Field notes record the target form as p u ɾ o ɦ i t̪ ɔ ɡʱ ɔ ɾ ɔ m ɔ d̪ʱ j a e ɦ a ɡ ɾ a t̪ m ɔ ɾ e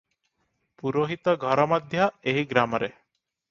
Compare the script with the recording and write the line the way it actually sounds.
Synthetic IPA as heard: p u ɾ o ɦ i t̪ ɔ ɡʱ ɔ ɾ ɔ m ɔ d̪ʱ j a e ɦ i ɡ ɾ a m ɔ ɾ e